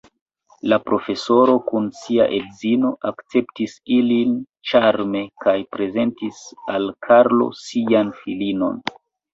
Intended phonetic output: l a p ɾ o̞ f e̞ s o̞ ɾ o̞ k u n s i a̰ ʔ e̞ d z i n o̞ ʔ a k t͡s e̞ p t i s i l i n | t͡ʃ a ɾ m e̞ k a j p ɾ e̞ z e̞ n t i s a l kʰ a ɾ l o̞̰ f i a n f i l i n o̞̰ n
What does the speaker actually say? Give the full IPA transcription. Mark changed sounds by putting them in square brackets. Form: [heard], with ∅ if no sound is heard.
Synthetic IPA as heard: l a p ɾ o̞ f e̞ s o̞ ɾ o̞ k u n s i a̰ ʔ e̞ d z i n o̞ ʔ a k t͡s e̞ p t i s i l i n | t͡ʃ a ɾ m e̞ k a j p ɾ e̞ z e̞ n t i s a l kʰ a ɾ l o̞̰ [s] i a n f i l i n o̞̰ n

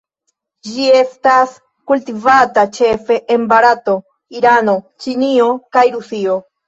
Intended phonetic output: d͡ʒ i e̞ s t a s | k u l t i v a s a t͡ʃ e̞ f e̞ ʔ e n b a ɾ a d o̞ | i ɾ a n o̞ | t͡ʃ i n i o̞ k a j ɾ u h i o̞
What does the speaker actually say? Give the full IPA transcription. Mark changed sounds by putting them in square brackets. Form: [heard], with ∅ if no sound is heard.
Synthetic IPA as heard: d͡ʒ i e̞ s t a s | k u l t i v a [t] a t͡ʃ e̞ f e̞ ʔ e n b a ɾ a [t] o̞ | i ɾ a n o̞ | t͡ʃ i n i o̞ k a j ɾ u [s] i o̞

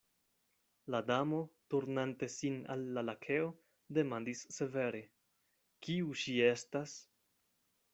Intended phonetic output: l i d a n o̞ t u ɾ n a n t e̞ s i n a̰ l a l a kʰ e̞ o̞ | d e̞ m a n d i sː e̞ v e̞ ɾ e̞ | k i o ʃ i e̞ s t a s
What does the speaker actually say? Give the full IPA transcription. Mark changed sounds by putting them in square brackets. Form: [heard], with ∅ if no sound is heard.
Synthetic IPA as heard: l [a] d a [m] o̞ t u ɾ n a n t e̞ s i n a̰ [lː] a l a kʰ e̞ o̞ | d e̞ m a n d i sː e̞ v e̞ ɾ e̞ | k i [u] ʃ i e̞ s t a s

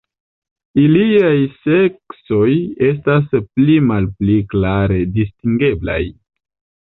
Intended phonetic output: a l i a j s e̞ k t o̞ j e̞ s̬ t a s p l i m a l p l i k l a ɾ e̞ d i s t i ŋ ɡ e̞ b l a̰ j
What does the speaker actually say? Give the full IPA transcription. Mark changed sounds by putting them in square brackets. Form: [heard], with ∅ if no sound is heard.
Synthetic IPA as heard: [i] l i a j s e̞ k [s] o̞ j e̞ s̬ t a s p l i m a l p l i k l a ɾ e̞ d i s t i ŋ ɡ e̞ b l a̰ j

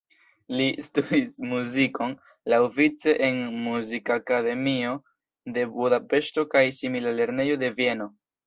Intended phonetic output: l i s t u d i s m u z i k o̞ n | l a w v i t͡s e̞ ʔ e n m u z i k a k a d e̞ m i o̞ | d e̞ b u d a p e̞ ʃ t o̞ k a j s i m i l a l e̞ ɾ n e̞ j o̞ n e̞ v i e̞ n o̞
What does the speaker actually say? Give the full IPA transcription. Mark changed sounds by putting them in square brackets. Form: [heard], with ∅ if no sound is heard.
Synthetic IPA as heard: l i s t u d i s m u z i k o̞ n | l a w v i t͡s e̞ ʔ e n m u z i k a k a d e̞ m i o̞ | d e̞ b u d a p e̞ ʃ t o̞ k a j s i m i l a l e̞ ɾ n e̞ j o̞ [d] e̞ v i e̞ n o̞

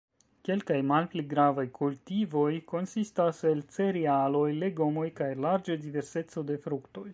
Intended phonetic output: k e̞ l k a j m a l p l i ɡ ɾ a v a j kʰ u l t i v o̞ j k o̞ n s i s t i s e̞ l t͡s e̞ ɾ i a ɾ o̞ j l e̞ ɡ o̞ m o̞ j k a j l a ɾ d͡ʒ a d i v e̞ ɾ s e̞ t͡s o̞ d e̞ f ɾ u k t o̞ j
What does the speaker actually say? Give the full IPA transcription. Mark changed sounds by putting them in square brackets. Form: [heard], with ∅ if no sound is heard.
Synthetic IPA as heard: k e̞ l k a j m a l p l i ɡ ɾ a v a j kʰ u l t i v o̞ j k o̞ n s i s t [a] s e̞ l t͡s e̞ ɾ i a [l] o̞ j l e̞ ɡ o̞ m o̞ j k a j l a ɾ d͡ʒ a d i v e̞ ɾ s e̞ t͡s o̞ d e̞ f ɾ u k t o̞ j

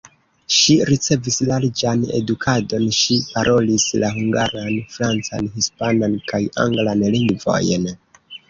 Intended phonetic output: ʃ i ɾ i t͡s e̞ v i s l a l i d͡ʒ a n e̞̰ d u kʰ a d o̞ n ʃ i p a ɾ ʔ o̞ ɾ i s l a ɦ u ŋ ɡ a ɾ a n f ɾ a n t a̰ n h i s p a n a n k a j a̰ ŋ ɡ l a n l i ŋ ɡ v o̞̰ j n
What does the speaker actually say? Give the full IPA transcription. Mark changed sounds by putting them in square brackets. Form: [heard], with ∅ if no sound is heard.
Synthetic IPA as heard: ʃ i ɾ i t͡s e̞ v i s l a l i d͡ʒ a n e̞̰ d u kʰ a d o̞ n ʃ i p a ɾ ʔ o̞ [l] i s l a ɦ u ŋ ɡ a ɾ a n f ɾ a n [t͡s] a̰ n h i s p a n a n k a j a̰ ŋ ɡ l a n l i ŋ ɡ v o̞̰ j n

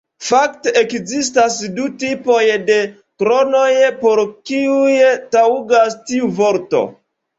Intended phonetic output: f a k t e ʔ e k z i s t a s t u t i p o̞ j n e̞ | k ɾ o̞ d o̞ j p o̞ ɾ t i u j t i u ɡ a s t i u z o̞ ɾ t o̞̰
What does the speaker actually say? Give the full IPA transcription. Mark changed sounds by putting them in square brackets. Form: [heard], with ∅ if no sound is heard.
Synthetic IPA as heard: f a k t e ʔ e k z i s t a s [d] u t i p o̞ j [d] e̞ | k ɾ o̞ [n] o̞ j p o̞ ɾ [k] i u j t [a] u ɡ a s t i u [v] o̞ ɾ t o̞̰

